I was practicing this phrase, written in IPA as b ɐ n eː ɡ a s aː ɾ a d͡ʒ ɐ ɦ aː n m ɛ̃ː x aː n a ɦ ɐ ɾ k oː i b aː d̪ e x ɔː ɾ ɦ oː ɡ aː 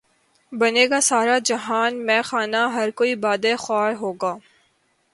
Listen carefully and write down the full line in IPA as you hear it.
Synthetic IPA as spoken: b ɐ n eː ɡ a s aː ɾ a d͡ʒ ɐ ɦ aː n m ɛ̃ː x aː n a ɦ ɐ ɾ k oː i b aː d̪ e x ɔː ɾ ɦ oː ɡ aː